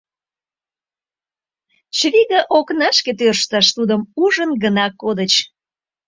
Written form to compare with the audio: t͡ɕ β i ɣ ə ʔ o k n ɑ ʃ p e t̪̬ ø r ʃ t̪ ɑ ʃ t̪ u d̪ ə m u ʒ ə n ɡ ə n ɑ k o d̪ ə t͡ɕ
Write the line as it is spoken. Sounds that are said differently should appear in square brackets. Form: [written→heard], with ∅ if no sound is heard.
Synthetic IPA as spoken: t͡ɕ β i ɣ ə ʔ o k n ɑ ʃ [p→k] e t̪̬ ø r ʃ t̪ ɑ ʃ t̪ u d̪ ə m u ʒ ə n ɡ ə n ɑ k o d̪ ə t͡ɕ

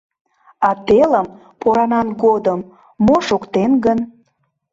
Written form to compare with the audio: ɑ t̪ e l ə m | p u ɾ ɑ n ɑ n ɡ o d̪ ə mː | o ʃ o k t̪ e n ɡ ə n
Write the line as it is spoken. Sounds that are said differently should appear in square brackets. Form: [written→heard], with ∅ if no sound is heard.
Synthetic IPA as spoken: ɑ t̪ e l ə m | p [u→o] ɾ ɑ n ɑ n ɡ o d̪ ə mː | o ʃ o k t̪ e n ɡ ə n

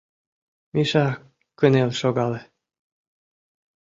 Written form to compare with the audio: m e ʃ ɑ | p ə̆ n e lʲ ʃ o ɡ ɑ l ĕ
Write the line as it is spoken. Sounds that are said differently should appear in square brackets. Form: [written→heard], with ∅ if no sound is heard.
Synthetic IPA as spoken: m [e→i] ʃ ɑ | [p→k] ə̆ n e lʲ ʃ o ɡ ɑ l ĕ

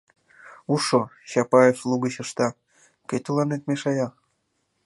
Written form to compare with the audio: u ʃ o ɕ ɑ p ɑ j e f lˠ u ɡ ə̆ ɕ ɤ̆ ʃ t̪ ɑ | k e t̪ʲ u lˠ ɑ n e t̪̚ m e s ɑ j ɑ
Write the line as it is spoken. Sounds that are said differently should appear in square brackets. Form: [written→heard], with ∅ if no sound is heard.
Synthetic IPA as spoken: u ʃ o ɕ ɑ p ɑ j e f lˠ u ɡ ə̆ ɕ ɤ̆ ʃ t̪ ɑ | k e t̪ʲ u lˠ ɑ n e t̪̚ m e [s→ʃ] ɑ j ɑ

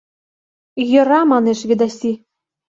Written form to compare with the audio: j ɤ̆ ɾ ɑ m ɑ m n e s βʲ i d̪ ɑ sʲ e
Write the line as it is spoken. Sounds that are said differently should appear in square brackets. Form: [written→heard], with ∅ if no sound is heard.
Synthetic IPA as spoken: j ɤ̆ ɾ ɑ m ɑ [m→∅] n e [s→ʃ] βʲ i d̪ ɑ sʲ [e→i]

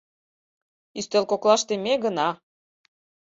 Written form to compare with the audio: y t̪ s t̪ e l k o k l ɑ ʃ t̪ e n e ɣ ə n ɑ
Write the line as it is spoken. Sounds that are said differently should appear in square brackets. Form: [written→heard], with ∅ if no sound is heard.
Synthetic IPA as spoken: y [t̪→∅] s t̪ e l k o k l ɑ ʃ t̪ e [n→m] e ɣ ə n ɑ

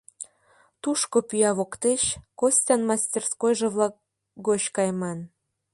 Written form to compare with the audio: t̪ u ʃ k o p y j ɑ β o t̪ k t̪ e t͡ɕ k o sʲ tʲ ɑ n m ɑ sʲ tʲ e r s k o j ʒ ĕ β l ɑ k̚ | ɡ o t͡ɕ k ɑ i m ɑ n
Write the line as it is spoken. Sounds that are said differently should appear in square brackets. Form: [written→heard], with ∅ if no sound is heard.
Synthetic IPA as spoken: t̪ u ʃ k o p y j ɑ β o [t̪→∅] k t̪ e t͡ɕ k o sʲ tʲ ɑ n m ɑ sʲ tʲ e r s k o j ʒ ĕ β l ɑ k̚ | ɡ o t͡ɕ k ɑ [i→j] m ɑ n

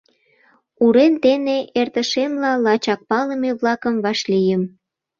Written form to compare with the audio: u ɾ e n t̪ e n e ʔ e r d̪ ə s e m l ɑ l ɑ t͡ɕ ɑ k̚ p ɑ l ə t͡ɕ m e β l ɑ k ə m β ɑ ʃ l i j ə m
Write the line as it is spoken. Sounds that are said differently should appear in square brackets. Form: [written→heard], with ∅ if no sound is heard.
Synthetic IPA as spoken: u ɾ e n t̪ e n e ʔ e r [d̪→t̪] ə [s→ʃ] e m l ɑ l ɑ t͡ɕ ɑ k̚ p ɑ l ə [t͡ɕ→∅] m e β l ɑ k ə m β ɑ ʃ l i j ə m

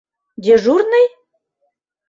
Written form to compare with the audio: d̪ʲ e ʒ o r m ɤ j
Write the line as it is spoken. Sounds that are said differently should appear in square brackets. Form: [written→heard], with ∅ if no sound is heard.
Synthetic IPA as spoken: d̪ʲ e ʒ [o→u] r [m→n] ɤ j

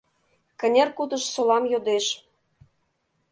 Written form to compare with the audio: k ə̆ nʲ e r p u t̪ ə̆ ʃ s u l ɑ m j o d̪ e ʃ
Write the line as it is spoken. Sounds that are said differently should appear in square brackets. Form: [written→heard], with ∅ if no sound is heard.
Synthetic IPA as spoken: k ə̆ nʲ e r [p→k] u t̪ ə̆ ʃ s [u→o] l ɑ m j o d̪ e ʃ

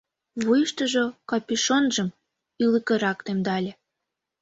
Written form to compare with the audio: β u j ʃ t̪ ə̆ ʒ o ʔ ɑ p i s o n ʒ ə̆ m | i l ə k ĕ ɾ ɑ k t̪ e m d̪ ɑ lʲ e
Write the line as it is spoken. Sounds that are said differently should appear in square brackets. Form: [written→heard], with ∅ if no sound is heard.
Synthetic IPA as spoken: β u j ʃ t̪ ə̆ ʒ o [ʔ→k] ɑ p i [s→ʃ] o n ʒ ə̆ m | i l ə k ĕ ɾ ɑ k t̪ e m d̪ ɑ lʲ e

